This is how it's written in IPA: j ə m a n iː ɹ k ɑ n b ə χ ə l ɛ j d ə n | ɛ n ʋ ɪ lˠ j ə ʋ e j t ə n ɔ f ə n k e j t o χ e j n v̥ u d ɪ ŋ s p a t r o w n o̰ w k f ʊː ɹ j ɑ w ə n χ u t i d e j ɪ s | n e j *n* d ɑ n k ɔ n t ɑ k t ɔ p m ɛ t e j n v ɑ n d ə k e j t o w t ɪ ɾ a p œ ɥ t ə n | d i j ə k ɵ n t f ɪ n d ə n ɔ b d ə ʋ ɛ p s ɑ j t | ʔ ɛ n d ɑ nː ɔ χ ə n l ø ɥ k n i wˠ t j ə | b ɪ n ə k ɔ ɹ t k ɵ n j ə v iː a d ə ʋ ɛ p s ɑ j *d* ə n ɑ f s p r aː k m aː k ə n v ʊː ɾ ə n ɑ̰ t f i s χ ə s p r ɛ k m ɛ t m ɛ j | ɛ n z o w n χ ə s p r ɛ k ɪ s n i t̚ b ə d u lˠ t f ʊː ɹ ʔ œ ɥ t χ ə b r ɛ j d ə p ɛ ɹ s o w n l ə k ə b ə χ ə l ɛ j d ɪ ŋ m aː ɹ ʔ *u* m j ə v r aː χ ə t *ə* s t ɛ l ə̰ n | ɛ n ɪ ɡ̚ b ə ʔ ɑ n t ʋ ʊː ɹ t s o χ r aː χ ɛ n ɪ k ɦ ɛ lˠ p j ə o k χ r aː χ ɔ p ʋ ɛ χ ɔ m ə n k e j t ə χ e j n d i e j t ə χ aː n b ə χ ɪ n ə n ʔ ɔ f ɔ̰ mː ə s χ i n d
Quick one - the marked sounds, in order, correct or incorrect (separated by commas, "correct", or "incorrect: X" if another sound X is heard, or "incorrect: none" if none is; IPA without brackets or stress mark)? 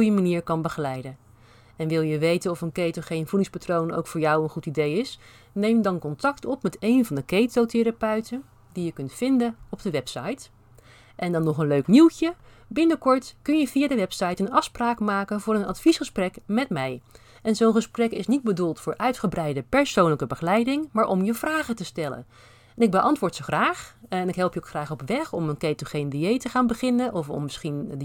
incorrect: m, incorrect: t, incorrect: ɔ, correct